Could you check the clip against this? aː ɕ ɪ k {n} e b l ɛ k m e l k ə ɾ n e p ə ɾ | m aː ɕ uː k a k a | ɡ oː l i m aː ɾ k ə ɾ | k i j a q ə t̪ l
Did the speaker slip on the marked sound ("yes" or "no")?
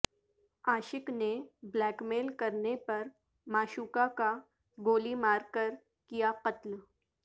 no